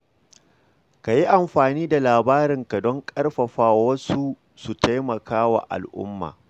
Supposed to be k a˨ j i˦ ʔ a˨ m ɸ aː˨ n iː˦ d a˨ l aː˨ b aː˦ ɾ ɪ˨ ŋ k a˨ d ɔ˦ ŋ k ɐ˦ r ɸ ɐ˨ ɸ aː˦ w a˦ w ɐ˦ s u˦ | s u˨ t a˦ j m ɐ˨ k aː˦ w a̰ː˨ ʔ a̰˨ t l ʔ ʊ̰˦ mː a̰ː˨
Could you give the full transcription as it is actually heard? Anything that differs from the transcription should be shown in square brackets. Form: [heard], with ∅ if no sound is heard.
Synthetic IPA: k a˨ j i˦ ʔ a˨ m ɸ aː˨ n iː˦ d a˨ l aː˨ b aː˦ ɾ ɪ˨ ŋ k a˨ d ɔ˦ ŋ [kʼ] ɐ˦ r ɸ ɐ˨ ɸ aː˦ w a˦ w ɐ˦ s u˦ | s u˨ t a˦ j m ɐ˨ k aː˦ w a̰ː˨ ʔ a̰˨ [∅] l ʔ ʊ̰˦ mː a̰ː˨